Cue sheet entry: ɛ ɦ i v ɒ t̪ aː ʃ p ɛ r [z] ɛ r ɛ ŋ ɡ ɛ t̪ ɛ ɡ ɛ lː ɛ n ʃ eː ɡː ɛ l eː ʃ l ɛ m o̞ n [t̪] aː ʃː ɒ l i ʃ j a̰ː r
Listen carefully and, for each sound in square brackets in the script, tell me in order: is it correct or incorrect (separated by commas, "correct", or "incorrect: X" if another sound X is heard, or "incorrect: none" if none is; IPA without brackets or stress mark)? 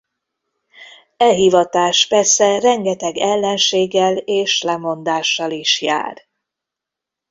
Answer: incorrect: s, incorrect: d̪